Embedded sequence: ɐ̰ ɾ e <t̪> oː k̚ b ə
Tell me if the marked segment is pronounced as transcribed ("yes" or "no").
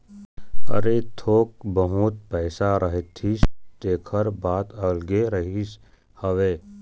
no